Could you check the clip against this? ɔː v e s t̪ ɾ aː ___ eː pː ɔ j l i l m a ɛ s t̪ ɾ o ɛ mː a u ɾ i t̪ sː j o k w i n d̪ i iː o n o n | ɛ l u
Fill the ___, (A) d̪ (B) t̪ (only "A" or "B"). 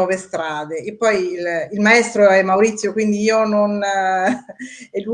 A